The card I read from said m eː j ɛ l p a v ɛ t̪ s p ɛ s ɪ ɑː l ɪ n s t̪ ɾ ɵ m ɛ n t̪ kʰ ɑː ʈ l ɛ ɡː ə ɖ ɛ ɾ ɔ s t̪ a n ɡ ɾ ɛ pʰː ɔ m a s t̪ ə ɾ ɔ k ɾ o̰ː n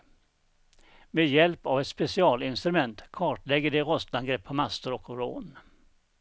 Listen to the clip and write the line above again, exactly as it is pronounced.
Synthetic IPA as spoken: m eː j ɛ l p a v ɛ t̪ s p ɛ s ɪ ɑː l ɪ n s t̪ ɾ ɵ m ɛ n t̪ kʰ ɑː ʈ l ɛ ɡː ə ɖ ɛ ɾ ɔ s t̪ a n ɡ ɾ ɛ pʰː ɔ m a s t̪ ə ɾ ɔ k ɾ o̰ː n